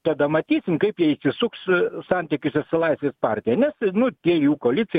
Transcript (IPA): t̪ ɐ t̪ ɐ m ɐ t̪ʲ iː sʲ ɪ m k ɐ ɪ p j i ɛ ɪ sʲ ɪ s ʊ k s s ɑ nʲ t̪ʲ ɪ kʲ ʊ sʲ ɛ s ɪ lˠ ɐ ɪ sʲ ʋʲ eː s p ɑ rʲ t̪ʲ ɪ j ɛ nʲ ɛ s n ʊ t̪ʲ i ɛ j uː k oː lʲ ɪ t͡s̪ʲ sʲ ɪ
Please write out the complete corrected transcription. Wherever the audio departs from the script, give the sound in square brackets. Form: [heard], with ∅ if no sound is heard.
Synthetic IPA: t̪ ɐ [d̪] ɐ m ɐ t̪ʲ iː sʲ ɪ m k ɐ ɪ p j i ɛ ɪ sʲ ɪ s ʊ k s s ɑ nʲ t̪ʲ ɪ kʲ ʊ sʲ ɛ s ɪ lˠ ɐ ɪ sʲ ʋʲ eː s p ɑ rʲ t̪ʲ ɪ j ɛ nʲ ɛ s n ʊ t̪ʲ i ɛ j uː k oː lʲ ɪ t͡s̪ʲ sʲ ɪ